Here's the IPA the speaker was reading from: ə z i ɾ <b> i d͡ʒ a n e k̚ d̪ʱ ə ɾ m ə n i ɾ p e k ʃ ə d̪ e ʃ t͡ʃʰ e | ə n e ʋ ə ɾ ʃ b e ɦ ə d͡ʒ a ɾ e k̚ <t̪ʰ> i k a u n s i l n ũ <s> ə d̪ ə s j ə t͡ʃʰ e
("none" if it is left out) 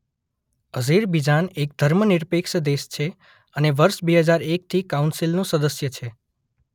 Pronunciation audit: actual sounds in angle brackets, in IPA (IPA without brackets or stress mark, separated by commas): b, t̪ʰ, s